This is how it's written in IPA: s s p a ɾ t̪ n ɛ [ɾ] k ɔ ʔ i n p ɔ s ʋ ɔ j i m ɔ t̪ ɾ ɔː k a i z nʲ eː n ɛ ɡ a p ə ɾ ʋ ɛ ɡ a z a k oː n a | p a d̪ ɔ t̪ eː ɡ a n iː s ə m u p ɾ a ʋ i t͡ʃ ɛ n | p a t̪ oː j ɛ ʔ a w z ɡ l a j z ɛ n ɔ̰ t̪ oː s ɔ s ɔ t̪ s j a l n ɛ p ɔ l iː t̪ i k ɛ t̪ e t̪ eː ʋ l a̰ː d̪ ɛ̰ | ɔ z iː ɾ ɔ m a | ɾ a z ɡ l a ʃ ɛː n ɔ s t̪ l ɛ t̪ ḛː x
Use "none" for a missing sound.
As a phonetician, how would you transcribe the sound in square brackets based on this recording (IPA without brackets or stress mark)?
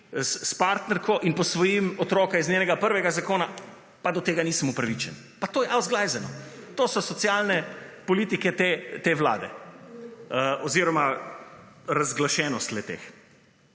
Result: ɾ